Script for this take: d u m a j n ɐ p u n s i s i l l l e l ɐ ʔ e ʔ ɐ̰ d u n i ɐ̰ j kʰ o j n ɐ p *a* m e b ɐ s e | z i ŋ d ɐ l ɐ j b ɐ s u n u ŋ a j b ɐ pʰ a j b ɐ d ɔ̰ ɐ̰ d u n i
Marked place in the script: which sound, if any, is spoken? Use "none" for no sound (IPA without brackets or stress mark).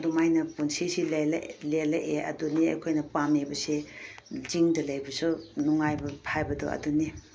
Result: a